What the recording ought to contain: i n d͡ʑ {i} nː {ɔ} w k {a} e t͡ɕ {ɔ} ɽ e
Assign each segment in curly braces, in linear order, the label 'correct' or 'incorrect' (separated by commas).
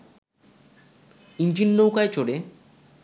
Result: correct, incorrect, correct, incorrect